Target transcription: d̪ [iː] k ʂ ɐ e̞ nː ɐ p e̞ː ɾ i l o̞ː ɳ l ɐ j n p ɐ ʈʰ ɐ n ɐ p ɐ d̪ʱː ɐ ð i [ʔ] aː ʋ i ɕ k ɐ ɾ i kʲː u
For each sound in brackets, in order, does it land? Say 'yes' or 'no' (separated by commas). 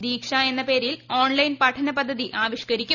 yes, yes